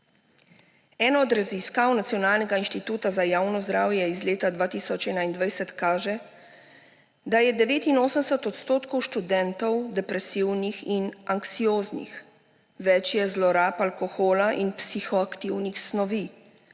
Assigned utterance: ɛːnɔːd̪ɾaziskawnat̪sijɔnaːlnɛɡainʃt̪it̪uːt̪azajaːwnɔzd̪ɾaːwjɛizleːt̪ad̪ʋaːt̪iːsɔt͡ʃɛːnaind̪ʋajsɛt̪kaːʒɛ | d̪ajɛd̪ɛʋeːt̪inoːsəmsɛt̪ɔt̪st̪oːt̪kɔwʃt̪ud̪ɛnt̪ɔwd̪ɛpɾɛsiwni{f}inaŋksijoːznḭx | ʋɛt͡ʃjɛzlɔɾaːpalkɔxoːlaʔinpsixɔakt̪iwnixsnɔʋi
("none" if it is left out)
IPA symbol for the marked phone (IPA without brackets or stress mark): x